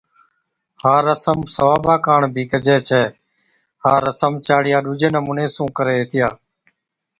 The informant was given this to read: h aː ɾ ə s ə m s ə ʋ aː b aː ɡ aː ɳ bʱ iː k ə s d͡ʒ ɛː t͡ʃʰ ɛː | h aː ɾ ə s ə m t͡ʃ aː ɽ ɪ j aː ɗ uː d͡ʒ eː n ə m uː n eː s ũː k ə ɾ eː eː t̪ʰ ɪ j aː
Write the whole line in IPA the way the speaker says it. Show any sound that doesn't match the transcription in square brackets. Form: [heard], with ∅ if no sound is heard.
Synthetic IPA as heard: h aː ɾ ə s ə m s ə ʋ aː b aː [k] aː ɳ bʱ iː k ə [∅] d͡ʒ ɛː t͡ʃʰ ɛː | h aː ɾ ə s ə m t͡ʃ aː ɽ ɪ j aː ɗ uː d͡ʒ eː n ə m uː n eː s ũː k ə ɾ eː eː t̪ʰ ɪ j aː